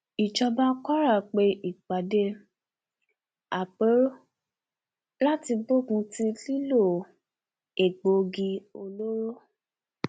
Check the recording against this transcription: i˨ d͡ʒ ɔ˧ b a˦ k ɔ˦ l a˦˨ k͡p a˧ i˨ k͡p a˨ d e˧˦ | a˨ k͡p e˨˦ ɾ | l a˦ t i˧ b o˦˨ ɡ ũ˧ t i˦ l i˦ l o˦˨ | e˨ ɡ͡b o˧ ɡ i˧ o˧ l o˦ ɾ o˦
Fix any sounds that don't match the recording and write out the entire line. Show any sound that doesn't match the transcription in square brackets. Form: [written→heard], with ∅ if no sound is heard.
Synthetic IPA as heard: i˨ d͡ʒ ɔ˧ b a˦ k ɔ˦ [l→ɾ] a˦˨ k͡p [a˧→e˧] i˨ k͡p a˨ d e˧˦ | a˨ k͡p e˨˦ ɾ | l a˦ t i˧ b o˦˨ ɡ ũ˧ t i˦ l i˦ l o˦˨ | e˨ ɡ͡b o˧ ɡ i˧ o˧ l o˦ ɾ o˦